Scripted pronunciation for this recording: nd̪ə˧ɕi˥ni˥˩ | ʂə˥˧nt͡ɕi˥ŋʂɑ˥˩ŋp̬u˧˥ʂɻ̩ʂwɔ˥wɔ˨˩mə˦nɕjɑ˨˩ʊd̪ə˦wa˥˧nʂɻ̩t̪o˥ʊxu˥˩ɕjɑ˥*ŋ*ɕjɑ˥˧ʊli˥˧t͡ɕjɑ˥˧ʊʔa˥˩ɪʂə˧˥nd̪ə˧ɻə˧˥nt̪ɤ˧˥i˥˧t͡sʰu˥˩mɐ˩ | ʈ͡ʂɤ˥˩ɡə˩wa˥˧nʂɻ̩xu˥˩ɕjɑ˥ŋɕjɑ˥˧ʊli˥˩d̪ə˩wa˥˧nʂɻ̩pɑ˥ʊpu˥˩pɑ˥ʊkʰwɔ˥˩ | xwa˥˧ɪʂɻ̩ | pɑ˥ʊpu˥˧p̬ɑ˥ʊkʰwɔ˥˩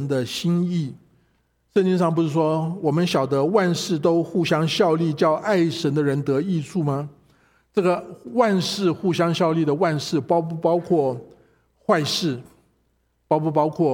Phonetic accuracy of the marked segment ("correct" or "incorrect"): correct